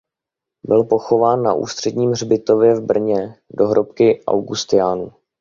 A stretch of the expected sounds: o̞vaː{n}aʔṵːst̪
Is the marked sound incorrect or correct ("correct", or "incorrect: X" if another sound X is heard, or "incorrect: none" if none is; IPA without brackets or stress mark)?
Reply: incorrect: nː